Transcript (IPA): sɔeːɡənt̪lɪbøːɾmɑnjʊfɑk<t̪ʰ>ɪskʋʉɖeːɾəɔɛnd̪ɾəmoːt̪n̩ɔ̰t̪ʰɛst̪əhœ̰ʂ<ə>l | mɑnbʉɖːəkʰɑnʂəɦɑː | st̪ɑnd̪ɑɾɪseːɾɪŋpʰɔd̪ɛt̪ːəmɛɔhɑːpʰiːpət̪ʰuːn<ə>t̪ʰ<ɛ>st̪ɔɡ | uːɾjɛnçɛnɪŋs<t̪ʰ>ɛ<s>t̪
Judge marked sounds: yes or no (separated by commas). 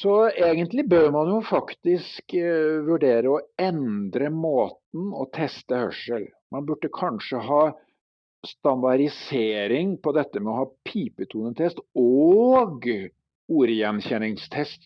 no, yes, yes, yes, yes, yes